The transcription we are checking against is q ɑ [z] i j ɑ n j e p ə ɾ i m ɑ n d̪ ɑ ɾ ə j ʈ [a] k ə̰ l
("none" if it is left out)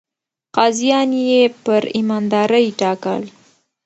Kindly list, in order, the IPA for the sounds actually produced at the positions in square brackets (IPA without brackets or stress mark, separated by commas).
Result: z, ɑ